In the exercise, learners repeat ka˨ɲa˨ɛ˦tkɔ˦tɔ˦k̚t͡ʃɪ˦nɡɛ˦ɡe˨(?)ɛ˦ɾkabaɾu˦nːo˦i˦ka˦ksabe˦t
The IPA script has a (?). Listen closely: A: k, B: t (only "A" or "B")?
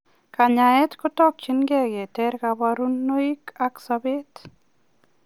B